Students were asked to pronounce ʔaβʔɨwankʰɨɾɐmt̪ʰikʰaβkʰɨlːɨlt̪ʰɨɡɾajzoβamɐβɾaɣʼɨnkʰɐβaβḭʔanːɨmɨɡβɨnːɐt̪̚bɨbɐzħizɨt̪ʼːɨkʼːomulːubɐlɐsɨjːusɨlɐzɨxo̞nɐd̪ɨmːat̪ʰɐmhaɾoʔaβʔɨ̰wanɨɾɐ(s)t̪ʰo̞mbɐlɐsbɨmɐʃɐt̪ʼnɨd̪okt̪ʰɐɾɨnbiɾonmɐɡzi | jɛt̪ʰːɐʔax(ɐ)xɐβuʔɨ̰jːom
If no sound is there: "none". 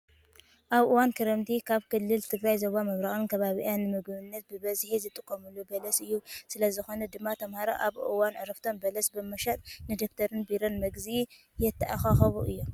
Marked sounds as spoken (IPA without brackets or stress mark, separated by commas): f, a